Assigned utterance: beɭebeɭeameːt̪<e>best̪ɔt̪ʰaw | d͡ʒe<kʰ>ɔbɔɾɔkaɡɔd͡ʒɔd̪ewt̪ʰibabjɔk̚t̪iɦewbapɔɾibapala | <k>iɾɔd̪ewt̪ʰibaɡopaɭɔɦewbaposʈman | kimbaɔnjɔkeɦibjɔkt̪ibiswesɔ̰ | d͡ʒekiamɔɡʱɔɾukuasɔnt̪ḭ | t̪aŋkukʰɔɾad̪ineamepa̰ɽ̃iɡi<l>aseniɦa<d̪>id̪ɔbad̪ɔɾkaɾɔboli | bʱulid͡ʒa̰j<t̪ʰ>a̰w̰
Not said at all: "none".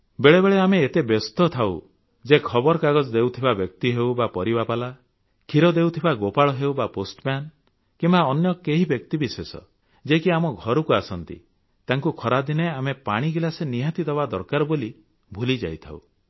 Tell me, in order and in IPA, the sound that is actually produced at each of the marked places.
e, kʰ, kʰ, l, t̪, t̪ʰ

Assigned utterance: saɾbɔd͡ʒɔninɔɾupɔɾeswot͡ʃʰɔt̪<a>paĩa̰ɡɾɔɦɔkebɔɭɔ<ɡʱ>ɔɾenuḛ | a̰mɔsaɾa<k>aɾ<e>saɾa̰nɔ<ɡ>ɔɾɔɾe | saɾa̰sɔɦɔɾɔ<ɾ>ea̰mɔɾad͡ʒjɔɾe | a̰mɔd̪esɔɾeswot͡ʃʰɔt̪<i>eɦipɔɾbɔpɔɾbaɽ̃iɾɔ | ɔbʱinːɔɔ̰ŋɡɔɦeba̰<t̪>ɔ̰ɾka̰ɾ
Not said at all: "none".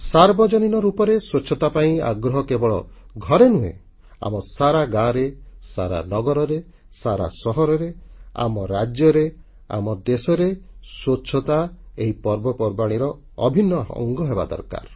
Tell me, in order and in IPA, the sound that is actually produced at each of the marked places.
a, ɡʱ, ɡ, e, ɡ, ɾ, a, d̪

